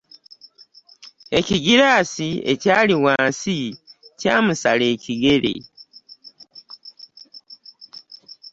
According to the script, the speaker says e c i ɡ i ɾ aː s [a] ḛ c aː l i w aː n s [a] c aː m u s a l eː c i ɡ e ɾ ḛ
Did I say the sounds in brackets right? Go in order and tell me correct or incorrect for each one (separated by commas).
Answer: incorrect, incorrect